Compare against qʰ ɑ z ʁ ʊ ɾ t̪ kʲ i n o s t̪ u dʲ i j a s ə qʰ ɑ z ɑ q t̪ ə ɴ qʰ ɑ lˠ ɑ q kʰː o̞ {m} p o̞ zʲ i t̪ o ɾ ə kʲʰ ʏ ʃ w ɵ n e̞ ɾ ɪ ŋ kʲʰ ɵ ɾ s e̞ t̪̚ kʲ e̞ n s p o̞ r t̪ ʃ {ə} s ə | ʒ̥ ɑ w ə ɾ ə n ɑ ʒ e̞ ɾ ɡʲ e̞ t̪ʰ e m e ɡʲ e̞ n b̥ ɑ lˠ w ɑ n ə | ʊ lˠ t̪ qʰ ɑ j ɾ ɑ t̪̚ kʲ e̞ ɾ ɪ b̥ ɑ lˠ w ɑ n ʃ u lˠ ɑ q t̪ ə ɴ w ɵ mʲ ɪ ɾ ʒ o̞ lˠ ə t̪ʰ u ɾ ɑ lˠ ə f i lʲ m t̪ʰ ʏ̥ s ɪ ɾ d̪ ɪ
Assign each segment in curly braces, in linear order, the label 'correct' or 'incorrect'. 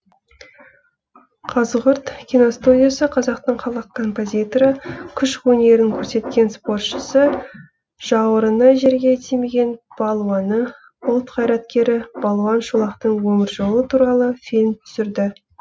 correct, correct

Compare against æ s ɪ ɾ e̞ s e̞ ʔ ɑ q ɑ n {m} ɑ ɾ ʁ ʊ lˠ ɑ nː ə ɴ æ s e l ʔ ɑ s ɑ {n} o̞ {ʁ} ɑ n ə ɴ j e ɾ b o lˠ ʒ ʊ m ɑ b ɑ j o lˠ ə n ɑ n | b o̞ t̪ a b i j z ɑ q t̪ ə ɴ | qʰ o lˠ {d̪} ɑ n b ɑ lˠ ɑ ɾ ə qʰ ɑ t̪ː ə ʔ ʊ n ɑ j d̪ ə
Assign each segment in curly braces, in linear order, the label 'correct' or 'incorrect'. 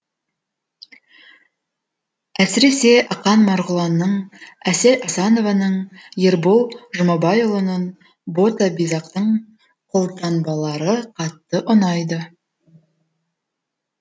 correct, correct, incorrect: v, incorrect: t̪

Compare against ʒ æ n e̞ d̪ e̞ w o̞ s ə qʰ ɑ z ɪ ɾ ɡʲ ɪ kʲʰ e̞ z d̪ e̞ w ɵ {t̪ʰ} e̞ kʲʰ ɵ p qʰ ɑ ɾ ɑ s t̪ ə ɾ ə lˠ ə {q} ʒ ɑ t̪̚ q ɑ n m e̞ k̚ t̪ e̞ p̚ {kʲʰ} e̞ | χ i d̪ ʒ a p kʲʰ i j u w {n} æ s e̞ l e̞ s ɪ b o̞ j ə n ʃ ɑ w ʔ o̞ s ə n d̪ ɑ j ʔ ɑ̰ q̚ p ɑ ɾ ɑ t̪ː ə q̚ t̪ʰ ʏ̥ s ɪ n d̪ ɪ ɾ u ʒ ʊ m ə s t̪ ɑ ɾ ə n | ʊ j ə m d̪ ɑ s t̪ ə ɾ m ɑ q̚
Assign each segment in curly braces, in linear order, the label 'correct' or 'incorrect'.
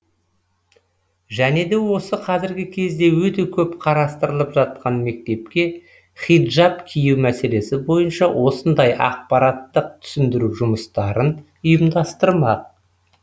incorrect: t̪, incorrect: p, incorrect: kʲ, incorrect: m

